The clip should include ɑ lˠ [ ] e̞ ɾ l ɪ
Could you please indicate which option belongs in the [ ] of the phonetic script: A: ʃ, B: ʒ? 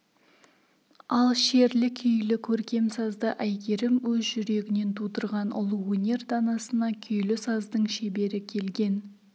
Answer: A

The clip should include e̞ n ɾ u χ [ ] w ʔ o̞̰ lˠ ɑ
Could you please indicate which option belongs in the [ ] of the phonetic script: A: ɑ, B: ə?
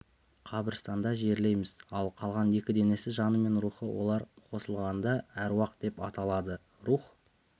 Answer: B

